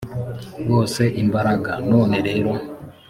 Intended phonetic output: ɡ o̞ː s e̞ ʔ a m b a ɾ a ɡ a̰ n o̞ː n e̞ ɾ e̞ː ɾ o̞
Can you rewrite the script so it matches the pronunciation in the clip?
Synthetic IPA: ɡ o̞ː s e̞ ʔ i m b a ɾ a ɡ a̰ n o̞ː n e̞ ɾ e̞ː ɾ o̞